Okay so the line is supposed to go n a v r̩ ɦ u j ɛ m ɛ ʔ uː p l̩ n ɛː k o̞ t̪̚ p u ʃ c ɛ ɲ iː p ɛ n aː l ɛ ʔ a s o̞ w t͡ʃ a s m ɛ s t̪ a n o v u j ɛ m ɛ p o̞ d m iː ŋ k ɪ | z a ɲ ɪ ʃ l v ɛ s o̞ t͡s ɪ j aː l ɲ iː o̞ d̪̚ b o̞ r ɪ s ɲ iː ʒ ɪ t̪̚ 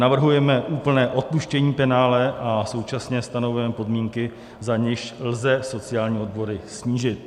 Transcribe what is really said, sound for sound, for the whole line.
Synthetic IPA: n a v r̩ ɦ u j ɛ m ɛ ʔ uː p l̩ n ɛː ʔ o̞ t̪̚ p u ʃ c ɛ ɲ iː p ɛ n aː l ɛ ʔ a s o̞ w t͡ʃ a s ɲ ɛ s t̪ a n o v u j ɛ m ɛ p o̞ d m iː ŋ k ɪ | z a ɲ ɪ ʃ l z ɛ s o̞ t͡s ɪ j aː l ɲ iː o̞ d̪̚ b o̞ ɾ ɪ s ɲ iː ʒ ɪ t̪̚